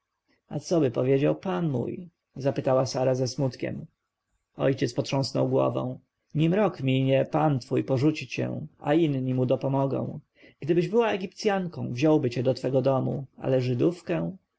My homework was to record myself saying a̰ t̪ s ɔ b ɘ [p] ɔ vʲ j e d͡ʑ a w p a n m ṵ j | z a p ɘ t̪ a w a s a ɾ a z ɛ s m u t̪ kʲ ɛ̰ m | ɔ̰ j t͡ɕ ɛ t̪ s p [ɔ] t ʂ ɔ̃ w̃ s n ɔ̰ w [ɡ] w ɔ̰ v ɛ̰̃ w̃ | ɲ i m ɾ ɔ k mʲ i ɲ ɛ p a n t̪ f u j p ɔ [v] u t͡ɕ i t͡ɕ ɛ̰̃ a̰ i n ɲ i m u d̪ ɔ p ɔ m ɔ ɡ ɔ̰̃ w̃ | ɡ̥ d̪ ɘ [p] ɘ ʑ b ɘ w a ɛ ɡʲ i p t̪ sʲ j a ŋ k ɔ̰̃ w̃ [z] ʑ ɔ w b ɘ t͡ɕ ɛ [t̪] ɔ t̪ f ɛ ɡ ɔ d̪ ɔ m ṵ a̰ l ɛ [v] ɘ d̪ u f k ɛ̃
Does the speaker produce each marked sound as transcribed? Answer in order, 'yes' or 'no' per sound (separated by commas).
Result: yes, yes, yes, no, no, no, no, no